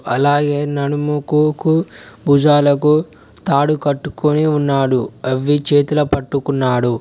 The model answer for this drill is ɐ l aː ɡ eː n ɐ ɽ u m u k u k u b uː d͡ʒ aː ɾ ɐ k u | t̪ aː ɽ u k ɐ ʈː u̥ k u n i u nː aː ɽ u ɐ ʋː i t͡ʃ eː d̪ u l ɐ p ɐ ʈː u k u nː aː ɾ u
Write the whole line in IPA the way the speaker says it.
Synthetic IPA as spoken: ɐ l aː ɡ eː n ɐ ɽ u m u k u k u b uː d͡ʒ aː l ɐ k u | t̪ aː ɽ u k ɐ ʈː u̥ k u n i u nː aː ɽ u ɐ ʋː i t͡ʃ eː t̪ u l ɐ p ɐ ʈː u k u nː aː ɽ u